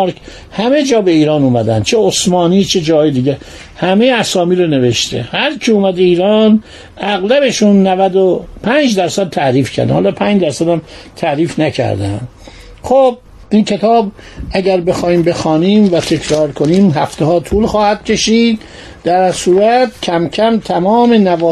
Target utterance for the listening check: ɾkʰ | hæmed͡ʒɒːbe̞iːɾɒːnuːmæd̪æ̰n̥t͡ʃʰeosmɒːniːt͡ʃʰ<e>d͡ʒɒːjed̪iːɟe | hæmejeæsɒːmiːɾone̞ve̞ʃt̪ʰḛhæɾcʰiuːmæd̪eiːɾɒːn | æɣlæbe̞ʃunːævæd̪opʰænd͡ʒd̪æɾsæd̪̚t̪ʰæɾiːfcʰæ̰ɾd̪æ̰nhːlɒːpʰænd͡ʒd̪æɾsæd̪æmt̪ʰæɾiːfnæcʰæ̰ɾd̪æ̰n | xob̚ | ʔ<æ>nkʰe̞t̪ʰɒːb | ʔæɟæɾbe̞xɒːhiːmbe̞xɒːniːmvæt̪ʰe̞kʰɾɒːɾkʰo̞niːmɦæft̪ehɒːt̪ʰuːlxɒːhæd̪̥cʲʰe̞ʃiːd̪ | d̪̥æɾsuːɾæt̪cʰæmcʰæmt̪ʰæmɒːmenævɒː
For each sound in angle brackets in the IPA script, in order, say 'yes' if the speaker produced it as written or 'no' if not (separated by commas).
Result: yes, no